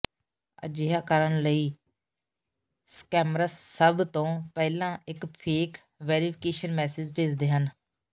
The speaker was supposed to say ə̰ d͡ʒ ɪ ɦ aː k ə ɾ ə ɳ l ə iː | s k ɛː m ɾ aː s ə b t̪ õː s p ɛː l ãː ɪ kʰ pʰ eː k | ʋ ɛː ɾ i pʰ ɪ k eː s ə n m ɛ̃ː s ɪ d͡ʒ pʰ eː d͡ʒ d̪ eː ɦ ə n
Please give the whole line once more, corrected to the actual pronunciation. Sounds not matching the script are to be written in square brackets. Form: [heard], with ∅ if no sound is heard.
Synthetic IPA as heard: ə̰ d͡ʒ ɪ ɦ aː k ə ɾ ə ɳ l ə iː | s k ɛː m ɾ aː s ə b t̪ õː [∅] p ɛː l ãː ɪ [k] pʰ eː k | ʋ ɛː ɾ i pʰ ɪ k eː [ʃ] ə n m [ɛː] s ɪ d͡ʒ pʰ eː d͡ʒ d̪ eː ɦ ə n